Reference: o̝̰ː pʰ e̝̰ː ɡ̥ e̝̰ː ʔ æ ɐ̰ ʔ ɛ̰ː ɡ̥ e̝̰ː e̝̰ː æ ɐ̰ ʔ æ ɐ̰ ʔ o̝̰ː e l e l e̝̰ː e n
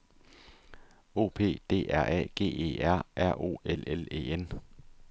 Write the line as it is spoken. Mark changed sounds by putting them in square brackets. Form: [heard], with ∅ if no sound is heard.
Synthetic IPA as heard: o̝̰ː pʰ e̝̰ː [d̥] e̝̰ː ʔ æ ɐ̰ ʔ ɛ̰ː ɡ̥ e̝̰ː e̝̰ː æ ɐ̰ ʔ æ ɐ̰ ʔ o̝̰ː e l e l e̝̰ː e n